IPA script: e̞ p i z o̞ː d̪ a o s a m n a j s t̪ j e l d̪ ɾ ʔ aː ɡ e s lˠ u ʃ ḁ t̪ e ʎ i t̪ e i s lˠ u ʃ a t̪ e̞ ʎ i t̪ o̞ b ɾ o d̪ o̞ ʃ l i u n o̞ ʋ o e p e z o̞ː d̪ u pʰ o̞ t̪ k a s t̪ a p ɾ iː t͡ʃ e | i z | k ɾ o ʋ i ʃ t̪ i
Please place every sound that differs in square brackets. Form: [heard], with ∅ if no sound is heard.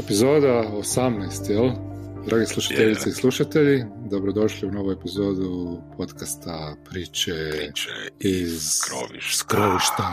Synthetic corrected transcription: e̞ p i z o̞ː d̪ a o s a m n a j s t̪ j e l d̪ ɾ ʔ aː ɡ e s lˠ u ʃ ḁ t̪ e ʎ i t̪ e i s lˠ u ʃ a t̪ e̞ ʎ i [d̪] o̞ b ɾ o d̪ o̞ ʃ l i u n o̞ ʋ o e p [i] z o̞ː d̪ u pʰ o̞ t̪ k a s t̪ a p ɾ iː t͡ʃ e | i z | k ɾ o ʋ i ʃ t̪ [a]